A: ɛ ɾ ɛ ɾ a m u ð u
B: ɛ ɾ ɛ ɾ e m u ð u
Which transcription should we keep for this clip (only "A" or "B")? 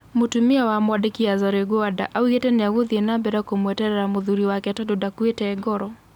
A